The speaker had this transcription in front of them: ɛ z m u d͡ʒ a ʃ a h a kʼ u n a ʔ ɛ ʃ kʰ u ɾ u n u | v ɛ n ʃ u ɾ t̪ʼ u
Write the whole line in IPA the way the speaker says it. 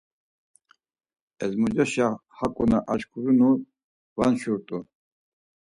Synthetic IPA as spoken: ɛ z m u d͡ʒ a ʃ a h a kʼ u n a ʔ a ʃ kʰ u ɾ u n u | v a n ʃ u ɾ t̪ʼ u